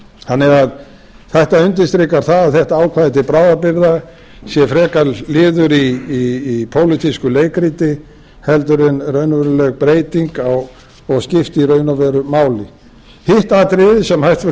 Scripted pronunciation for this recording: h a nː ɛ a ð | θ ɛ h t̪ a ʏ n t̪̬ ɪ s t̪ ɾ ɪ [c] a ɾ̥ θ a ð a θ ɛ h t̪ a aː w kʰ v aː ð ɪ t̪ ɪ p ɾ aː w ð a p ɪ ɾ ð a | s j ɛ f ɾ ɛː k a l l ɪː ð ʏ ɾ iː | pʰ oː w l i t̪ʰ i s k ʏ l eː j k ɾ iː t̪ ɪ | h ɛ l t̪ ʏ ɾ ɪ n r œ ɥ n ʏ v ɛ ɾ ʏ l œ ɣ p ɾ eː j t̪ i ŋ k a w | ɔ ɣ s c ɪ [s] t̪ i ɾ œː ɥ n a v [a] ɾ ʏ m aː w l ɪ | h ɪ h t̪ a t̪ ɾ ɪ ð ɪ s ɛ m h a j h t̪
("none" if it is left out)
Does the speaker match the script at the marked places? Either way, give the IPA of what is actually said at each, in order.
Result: k, f, ɛ

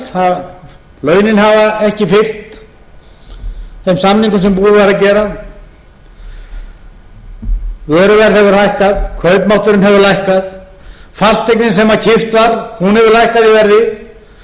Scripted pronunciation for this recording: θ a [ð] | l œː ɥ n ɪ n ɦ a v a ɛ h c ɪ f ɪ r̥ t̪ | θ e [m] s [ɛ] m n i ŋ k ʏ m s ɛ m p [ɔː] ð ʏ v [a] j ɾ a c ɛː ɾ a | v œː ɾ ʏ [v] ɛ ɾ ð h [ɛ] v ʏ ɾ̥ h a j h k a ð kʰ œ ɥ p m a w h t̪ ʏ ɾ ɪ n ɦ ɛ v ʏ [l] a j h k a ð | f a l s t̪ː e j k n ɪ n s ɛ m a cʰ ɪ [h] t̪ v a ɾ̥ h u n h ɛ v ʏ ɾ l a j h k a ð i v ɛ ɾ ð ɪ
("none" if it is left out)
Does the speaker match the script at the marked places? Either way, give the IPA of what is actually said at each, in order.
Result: ð, m, a, uː, a, v, ɛ, l, f

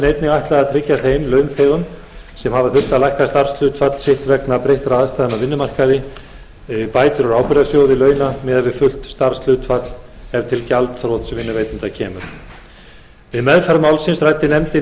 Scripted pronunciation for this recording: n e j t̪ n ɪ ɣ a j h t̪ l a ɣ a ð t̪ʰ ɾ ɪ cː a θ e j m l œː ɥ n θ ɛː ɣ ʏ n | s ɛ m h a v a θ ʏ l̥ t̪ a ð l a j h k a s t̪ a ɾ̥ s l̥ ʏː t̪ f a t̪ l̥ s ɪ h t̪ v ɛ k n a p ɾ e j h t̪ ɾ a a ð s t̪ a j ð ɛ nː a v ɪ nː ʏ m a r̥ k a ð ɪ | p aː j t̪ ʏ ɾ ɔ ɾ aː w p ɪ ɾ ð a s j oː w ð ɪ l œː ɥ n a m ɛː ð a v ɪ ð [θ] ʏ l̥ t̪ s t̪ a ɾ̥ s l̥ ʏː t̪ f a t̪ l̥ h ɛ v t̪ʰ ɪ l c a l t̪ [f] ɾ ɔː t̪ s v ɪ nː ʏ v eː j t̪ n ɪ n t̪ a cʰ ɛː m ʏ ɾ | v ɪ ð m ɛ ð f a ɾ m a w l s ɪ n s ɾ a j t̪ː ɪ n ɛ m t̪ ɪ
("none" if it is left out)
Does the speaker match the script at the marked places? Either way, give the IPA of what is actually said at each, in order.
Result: f, θ

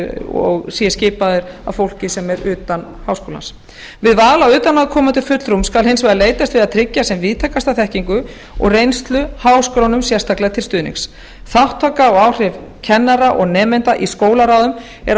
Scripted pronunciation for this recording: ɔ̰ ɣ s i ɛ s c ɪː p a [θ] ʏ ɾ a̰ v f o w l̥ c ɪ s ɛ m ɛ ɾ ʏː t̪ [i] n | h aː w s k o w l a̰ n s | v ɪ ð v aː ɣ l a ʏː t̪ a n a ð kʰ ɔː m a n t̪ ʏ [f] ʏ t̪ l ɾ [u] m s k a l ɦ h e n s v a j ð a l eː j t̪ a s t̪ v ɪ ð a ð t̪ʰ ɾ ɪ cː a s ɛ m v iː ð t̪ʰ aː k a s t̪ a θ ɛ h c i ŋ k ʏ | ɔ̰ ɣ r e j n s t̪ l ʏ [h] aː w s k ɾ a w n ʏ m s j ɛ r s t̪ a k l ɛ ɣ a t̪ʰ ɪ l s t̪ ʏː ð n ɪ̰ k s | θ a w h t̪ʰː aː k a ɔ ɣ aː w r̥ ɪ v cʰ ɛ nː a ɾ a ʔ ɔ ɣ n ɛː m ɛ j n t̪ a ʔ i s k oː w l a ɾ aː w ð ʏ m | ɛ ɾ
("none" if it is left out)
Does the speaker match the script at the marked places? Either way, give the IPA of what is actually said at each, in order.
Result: ð, a, f, u, h

